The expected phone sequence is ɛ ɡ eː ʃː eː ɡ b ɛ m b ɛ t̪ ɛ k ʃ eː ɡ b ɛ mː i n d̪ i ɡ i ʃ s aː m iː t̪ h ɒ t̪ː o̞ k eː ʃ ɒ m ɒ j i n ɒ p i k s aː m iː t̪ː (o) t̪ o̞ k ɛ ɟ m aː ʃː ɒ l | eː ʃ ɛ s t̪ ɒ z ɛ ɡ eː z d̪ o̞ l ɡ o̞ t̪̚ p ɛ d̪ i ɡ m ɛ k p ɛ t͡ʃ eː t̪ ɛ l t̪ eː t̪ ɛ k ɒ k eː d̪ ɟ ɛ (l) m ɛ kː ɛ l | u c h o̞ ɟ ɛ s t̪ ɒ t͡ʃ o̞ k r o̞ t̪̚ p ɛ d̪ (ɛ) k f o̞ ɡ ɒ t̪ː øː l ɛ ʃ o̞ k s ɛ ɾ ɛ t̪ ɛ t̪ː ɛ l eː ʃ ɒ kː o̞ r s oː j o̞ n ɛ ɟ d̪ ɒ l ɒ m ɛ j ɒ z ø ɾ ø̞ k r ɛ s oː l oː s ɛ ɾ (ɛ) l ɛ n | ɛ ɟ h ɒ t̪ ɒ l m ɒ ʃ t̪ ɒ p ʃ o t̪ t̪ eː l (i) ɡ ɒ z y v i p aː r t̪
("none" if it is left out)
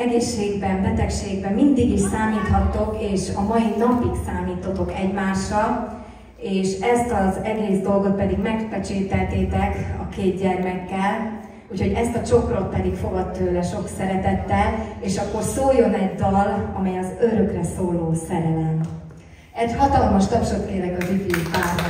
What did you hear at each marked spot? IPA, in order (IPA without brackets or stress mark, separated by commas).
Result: o, r, i, ɛ, ɛ